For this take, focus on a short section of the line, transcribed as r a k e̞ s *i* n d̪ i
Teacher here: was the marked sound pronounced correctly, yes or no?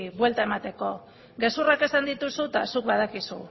no